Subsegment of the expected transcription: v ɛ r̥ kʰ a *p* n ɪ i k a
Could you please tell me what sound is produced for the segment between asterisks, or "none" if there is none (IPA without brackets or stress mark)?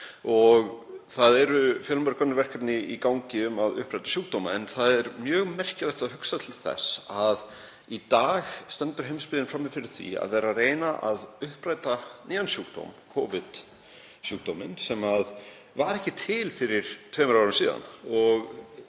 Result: p